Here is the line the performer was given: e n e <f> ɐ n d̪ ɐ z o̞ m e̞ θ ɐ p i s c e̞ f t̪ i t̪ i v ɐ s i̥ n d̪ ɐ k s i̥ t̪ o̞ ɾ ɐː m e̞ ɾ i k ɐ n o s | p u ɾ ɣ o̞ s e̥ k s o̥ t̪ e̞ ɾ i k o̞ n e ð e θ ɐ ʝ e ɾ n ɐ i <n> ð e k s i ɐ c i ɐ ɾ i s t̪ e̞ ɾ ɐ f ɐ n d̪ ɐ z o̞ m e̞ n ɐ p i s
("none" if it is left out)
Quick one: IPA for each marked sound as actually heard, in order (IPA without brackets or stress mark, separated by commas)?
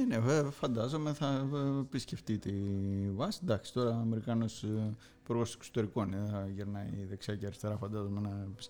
f, none